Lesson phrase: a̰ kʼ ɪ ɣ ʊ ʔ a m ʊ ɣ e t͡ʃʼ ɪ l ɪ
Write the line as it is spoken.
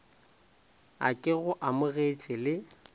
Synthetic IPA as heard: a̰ kʼ ɪ ɣ ʊ ʔ a m ʊ ɣ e t͡ʃʼ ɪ l ɪ